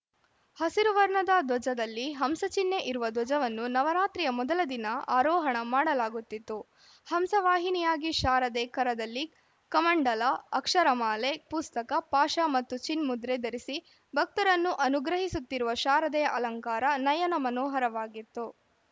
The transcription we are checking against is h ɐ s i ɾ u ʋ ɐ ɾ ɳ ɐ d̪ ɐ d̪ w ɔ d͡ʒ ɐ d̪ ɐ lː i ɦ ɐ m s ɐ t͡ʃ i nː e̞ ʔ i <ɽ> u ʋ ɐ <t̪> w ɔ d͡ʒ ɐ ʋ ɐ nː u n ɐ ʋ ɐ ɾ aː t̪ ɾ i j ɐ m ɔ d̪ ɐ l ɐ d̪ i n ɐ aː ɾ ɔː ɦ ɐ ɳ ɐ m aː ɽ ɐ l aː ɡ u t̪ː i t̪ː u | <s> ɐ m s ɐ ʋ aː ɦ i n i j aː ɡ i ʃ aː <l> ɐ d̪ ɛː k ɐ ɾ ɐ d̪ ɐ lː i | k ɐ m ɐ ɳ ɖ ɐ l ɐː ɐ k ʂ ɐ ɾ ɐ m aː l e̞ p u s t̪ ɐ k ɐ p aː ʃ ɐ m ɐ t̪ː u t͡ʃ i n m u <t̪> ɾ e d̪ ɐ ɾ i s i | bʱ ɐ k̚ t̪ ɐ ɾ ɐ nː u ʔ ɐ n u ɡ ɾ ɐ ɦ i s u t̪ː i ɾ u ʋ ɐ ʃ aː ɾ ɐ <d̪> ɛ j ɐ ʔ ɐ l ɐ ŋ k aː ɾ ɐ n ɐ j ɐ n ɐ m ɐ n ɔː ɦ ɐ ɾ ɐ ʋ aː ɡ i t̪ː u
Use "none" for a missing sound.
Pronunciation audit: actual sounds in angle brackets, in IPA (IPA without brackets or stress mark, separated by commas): ɾ, d̪, h, ɾ, d̪, d̪